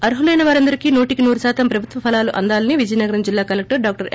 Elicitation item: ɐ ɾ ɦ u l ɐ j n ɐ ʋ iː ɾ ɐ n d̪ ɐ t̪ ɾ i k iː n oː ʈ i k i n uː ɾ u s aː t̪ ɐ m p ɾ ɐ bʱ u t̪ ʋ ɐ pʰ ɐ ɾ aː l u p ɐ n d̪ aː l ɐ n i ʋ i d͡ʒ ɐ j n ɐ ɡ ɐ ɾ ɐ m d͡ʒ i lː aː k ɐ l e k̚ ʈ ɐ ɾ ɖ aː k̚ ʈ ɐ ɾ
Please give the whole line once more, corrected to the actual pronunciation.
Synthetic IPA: ɐ ɾ ɦ u l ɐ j n ɐ ʋ aː ɾ ɐ n d̪ ɐ ɾ i k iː n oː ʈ i k i n uː ɾ u s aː t̪ ɐ m p ɾ ɐ bʱ u t̪ ʋ ɐ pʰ ɐ l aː l u ʔ ɐ n d̪ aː l ɐ n i ʋ i d͡ʒ ɐ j n ɐ ɡ ɐ ɾ ɐ m d͡ʒ i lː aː k ɐ l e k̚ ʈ ɐ ɾ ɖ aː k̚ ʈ ɐ ɾ

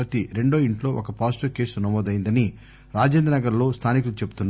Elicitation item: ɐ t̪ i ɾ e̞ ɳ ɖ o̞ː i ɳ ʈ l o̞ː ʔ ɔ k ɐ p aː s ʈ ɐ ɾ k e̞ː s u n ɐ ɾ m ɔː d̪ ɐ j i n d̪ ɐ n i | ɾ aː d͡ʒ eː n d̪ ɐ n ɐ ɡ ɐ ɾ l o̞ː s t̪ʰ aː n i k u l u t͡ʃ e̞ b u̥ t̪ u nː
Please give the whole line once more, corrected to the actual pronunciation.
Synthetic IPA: ɐ t̪ i ɾ e̞ ɳ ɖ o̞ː i ɳ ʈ l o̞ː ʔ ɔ k ɐ p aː s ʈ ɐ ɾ k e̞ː s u n ɐ m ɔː d̪ ɐ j i n d̪ ɐ n i | ɾ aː d͡ʒ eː n d̪ ɐ n ɐ ɡ ɐ ɾ l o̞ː s t̪ʰ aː n i k u l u t͡ʃ e̞ b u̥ t̪ u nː

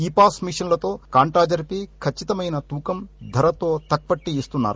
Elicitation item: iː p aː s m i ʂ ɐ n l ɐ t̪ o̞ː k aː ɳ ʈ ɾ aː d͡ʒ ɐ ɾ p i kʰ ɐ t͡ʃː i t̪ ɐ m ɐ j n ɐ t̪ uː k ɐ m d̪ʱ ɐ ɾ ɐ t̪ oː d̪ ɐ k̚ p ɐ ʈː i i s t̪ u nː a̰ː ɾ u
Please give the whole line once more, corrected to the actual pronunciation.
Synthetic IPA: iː p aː s m i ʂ ɐ n l ɐ t̪ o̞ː k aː ɳ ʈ ɾ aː d͡ʒ ɐ ɾ p i kʰ ɐ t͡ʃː i t̪ ɐ m ɐ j n ɐ t̪ uː k ɐ m d̪ʱ ɐ ɾ ɐ t̪ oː t̪ ɐ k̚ p ɐ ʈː i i s t̪ u nː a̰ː ɾ u

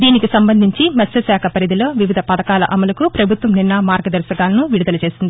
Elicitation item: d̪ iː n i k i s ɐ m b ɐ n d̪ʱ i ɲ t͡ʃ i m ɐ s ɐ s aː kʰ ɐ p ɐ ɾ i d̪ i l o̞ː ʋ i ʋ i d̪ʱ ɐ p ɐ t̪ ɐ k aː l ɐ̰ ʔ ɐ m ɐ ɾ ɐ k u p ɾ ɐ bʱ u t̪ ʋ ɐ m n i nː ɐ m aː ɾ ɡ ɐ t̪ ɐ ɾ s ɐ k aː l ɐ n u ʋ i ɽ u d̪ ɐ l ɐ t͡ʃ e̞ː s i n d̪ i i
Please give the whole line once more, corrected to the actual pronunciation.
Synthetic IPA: d̪ iː n i k i s ɐ m b ɐ n d̪ʱ i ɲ t͡ʃ i m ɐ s ɐ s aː kʰ ɐ p ɐ ɾ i d̪ i l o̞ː ʋ i ʋ i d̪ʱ ɐ p ɐ d̪ ɐ k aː l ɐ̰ ʔ ɐ m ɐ l ɐ k u p ɾ ɐ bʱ u t̪ ʋ ɐ m n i nː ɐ m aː ɾ ɡ ɐ d̪ ɐ ɾ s ɐ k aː l ɐ n u ʋ i ɽ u d̪ ɐ l ɐ t͡ʃ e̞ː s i n d̪ i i

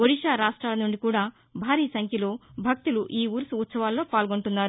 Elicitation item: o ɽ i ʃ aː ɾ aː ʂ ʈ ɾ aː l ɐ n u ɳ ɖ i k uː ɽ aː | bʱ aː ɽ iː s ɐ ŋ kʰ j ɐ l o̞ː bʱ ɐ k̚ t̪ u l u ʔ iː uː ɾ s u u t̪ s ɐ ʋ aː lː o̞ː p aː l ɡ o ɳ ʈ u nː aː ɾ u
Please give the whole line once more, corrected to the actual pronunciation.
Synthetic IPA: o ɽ i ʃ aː ɾ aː ʂ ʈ ɾ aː l ɐ n u ɳ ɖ i k uː ɽ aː | bʱ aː ɾ iː s ɐ ŋ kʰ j ɐ l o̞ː bʱ ɐ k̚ t̪ u l u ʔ iː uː ɾ s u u t̪ s ɐ ʋ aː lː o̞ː p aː l ɡ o ɳ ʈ u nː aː ɾ u

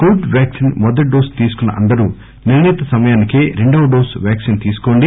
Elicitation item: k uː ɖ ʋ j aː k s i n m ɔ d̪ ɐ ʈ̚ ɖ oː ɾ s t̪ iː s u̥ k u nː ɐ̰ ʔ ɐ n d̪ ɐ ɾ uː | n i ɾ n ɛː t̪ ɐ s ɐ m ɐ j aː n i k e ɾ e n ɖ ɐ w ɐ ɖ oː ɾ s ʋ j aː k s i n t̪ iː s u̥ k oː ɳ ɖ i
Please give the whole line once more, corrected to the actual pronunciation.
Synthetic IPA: k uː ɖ ʋ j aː k s i n m ɔ d̪ ɐ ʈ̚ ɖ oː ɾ s t̪ iː s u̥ k u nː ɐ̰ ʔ ɐ n d̪ ɐ ɾ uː | n i ɾ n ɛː t̪ ɐ s ɐ m ɐ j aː n i k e ɾ e ɳ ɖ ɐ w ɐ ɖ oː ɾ s ʋ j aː k s i n t̪ iː s u̥ k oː ɳ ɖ i

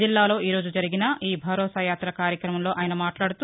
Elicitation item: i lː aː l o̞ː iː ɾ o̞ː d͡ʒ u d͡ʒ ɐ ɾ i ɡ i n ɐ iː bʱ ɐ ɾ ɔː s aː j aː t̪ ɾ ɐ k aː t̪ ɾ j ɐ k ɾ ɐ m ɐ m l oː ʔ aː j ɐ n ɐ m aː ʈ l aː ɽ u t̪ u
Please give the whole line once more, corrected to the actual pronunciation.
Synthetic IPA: i lː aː l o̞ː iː ɾ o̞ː d͡ʒ u d͡ʒ ɐ ɾ i ɡ i n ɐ iː bʱ ɐ ɾ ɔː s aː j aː t̪ ɾ ɐ k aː ɾ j ɐ k ɾ ɐ m ɐ m l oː ʔ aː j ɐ n ɐ m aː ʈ l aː ɽ u t̪ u

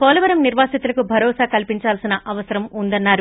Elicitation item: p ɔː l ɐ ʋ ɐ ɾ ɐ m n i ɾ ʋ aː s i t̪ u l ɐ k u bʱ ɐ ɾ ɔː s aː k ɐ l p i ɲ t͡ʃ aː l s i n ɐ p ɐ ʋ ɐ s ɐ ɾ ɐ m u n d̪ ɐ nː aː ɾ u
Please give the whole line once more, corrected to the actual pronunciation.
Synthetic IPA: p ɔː l ɐ ʋ ɐ ɾ ɐ m n i ɾ ʋ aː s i t̪ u l ɐ k u bʱ ɐ ɾ ɔː s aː k ɐ l p i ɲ t͡ʃ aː l s i n ɐ ʔ ɐ ʋ ɐ s ɐ ɾ ɐ m u n d̪ ɐ nː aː ɾ u

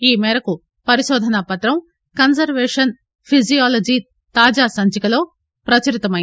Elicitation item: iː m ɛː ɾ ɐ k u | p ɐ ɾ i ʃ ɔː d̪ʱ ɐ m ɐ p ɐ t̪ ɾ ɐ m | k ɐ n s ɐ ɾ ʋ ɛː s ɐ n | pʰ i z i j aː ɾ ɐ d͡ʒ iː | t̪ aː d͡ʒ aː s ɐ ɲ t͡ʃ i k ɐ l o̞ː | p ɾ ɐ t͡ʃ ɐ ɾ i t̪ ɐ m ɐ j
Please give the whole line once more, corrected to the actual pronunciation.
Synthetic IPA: iː m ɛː ɾ ɐ k u | p ɐ ɾ i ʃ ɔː d̪ʱ ɐ n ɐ p ɐ t̪ ɾ ɐ m | k ɐ n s ɐ ɾ ʋ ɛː ʂ ɐ n | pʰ i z i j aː l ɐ d͡ʒ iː | t̪ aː d͡ʒ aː s ɐ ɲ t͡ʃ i k ɐ l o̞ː | p ɾ ɐ t͡ʃ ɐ ɾ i t̪ ɐ m ɐ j

